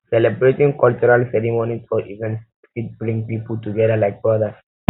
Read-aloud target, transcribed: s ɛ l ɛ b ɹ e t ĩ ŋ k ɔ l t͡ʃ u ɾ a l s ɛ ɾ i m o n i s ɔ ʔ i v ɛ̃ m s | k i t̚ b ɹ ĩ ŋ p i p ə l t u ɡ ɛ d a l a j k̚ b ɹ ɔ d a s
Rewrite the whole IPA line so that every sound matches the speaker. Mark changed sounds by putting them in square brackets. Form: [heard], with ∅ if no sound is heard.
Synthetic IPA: s ɛ l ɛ b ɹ e t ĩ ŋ k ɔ l t͡ʃ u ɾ a l s ɛ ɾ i m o n i s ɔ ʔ i v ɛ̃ [n] s | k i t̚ b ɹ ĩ ŋ p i p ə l t u ɡ ɛ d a l a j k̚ b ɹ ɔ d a s